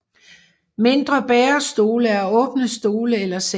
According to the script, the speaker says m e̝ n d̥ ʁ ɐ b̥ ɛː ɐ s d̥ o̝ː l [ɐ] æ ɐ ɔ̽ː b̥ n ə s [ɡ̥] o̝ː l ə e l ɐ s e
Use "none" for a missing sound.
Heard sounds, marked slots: ə, d̥

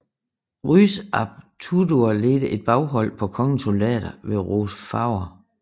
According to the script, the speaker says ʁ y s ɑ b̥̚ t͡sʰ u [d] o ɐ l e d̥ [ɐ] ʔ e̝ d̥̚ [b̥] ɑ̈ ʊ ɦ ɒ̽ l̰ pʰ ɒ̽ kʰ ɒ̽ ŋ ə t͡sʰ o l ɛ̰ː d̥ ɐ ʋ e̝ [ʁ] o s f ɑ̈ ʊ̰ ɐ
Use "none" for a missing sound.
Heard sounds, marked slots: d, ə, b̥, ʁ

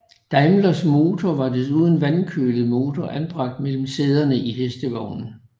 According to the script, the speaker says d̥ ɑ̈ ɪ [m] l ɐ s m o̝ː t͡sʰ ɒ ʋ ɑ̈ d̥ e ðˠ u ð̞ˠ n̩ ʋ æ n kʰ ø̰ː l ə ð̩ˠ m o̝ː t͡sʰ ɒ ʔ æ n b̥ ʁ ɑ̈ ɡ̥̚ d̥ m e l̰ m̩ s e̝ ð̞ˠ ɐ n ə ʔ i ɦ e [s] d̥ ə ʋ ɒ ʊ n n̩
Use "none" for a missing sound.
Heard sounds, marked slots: m, s

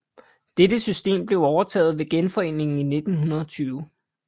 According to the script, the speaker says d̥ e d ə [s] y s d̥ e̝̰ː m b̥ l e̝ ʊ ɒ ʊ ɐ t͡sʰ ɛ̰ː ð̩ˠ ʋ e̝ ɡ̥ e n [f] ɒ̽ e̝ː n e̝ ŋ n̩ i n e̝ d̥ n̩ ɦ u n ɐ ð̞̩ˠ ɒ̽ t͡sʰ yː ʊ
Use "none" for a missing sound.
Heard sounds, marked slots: s, f

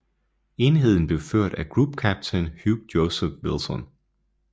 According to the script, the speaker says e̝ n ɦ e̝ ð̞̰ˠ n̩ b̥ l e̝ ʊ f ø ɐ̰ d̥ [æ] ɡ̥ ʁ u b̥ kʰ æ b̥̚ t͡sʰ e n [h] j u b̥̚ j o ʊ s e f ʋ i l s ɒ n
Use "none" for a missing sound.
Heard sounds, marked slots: æ, h

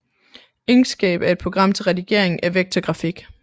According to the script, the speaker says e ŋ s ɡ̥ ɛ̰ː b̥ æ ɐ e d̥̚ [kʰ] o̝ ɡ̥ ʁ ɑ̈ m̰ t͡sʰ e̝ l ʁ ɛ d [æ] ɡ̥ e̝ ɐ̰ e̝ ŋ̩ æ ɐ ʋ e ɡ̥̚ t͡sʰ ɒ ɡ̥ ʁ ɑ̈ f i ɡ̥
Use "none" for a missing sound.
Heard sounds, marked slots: pʰ, i

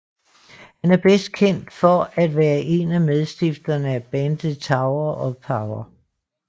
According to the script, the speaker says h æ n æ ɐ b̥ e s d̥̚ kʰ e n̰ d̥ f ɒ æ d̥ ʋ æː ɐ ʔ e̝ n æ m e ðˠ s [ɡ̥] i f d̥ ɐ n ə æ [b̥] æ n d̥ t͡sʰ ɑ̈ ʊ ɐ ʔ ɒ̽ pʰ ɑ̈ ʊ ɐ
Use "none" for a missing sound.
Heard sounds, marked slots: d̥, b̥

